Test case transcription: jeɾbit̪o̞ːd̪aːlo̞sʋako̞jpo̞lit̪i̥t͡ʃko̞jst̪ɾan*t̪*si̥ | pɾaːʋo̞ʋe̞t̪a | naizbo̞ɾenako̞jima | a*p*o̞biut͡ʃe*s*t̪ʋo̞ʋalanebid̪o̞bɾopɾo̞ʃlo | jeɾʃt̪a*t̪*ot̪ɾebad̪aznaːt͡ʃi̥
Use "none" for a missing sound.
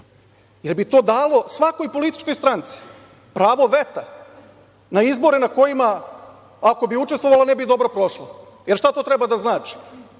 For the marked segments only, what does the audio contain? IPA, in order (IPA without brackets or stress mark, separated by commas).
t̪, k, s, t̪